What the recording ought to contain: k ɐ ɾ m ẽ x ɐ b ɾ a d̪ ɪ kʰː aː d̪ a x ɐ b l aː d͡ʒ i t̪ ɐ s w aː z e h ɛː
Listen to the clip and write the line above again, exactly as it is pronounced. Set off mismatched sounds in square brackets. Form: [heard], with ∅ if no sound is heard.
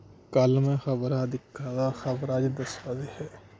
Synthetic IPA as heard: k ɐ [l] m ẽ x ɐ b ɾ a d̪ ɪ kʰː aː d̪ a x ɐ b [ɾ] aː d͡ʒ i [d̪] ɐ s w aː z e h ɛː